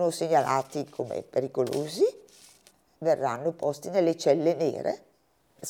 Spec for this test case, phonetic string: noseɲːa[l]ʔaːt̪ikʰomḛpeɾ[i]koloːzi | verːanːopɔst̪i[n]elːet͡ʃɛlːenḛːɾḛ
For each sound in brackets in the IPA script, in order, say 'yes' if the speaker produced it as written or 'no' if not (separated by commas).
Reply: yes, yes, yes